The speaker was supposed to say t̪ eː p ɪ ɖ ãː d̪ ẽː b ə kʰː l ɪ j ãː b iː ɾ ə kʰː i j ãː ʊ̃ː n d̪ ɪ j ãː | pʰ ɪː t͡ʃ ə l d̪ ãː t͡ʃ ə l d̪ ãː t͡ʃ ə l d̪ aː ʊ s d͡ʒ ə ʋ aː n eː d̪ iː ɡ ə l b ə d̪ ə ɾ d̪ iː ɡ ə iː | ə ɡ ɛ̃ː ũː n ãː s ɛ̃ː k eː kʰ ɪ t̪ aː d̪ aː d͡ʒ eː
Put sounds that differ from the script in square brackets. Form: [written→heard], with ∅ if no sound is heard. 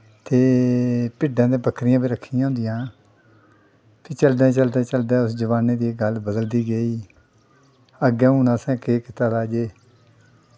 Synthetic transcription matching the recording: t̪ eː p ɪ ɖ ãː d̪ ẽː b ə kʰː [l→ɾ] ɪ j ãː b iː ɾ ə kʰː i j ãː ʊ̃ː n d̪ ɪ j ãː | pʰ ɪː t͡ʃ ə l d̪ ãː t͡ʃ ə l d̪ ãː t͡ʃ ə l d̪ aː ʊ s d͡ʒ ə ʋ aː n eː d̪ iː ɡ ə l b ə d̪ ə [ɾ→l] d̪ iː ɡ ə iː | ə ɡ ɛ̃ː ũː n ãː s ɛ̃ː k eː [kʰ→k] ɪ t̪ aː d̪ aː d͡ʒ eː